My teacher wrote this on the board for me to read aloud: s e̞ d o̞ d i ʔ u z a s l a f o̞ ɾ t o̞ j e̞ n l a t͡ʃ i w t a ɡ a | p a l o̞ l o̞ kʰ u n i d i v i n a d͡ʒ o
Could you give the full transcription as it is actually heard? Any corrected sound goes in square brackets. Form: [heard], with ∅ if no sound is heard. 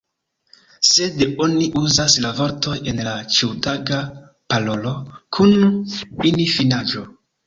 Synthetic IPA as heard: s e̞ d o̞ [n] i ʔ u z a s l a [v] o̞ ɾ t o̞ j e̞ n l a t͡ʃ i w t a ɡ a | p a l o̞ l o̞ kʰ u n i [n] i [f] i n a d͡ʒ o